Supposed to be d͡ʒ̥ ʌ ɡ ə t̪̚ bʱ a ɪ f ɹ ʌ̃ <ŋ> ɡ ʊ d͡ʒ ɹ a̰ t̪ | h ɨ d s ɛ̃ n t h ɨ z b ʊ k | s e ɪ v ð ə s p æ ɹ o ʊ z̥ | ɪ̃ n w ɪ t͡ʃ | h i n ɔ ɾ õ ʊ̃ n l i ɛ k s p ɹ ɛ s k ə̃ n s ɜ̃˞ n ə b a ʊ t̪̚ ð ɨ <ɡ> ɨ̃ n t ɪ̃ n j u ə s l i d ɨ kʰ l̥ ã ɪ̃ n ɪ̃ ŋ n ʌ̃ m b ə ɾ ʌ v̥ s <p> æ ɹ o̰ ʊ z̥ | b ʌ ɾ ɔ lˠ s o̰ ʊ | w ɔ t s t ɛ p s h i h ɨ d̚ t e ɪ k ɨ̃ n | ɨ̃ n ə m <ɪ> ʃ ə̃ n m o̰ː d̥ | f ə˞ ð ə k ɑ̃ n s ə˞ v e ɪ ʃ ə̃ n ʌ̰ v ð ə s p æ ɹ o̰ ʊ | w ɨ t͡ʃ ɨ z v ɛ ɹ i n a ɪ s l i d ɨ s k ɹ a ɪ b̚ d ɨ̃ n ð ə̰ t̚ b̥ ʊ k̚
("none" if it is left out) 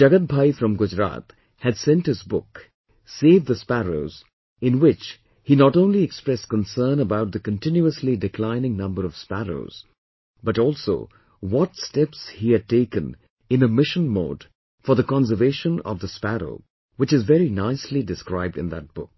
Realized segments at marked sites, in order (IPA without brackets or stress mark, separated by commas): m, k, p, ɪ